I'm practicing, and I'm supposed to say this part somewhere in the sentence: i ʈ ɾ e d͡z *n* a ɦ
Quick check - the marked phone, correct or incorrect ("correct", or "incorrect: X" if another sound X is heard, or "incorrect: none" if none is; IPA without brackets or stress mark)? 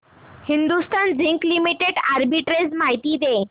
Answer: incorrect: m